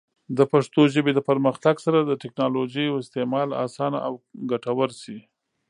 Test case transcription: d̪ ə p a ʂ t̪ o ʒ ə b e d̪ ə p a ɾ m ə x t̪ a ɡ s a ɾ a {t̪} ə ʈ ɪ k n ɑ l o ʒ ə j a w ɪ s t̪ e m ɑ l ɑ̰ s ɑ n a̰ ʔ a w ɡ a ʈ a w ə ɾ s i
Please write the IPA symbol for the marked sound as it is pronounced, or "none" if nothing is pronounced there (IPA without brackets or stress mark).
d̪